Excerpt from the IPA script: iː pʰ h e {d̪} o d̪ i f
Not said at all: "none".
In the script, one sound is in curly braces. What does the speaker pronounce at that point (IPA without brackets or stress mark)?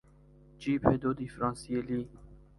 d̪